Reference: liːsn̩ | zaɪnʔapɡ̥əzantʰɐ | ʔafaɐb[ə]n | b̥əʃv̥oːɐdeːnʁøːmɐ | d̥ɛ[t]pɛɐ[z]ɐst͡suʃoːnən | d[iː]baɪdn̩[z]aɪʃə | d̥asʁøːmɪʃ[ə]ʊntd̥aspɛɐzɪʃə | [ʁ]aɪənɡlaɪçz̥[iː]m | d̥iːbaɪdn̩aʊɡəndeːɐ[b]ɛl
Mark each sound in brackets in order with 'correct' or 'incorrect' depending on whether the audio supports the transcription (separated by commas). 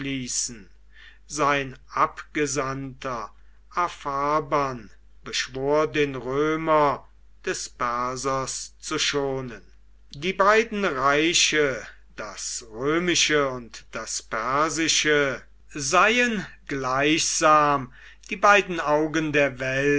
incorrect, incorrect, correct, correct, incorrect, correct, incorrect, incorrect, incorrect